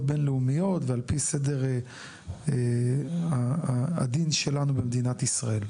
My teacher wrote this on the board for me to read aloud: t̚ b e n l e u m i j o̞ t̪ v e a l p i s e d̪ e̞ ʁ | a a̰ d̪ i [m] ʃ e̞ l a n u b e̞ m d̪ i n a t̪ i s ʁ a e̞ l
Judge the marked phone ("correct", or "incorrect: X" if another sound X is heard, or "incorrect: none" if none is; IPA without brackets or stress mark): incorrect: n